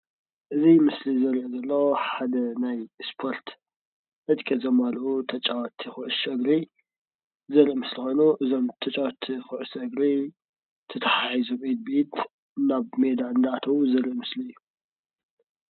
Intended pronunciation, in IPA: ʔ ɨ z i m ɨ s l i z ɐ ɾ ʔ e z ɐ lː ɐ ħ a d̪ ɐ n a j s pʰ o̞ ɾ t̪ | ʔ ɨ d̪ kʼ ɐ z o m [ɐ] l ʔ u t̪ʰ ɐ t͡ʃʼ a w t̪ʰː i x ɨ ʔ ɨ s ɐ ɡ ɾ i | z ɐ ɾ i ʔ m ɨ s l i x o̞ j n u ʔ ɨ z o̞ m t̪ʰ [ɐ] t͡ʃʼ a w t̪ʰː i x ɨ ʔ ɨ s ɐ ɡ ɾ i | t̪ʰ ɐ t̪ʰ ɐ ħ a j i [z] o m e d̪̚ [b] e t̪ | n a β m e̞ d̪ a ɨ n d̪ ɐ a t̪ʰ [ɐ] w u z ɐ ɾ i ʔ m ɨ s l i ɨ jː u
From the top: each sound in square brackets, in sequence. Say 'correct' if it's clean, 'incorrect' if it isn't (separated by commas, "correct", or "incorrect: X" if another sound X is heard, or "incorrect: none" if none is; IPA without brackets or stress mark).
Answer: incorrect: a, correct, correct, correct, correct